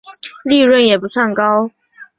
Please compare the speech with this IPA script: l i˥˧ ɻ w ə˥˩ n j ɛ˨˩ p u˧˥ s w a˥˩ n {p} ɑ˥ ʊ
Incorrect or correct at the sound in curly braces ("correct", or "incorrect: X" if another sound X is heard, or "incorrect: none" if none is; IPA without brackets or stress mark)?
incorrect: k